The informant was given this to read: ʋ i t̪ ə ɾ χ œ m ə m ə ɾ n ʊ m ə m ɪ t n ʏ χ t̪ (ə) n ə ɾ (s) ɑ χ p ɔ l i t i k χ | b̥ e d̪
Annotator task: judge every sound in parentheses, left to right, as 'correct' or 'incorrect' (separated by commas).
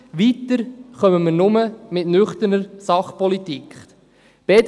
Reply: correct, correct